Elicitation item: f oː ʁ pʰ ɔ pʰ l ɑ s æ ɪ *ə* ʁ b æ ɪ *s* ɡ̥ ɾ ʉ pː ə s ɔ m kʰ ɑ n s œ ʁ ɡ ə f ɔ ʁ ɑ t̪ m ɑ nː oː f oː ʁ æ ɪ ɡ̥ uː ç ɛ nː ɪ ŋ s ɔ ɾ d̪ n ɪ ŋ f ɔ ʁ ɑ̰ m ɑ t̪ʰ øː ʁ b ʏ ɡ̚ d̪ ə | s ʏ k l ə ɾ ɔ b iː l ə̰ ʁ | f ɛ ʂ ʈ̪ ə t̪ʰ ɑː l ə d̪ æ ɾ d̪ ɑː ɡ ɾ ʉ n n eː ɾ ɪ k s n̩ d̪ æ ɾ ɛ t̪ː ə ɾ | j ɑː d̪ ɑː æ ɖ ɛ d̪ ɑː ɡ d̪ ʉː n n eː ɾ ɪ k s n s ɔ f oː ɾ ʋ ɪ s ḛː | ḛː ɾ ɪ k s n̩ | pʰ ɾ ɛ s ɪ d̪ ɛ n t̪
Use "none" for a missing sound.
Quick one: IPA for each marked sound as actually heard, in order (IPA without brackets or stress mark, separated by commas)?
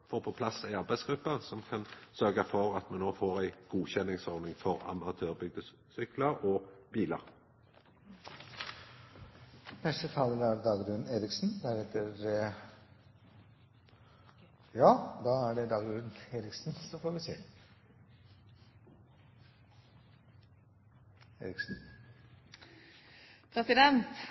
ɑ, s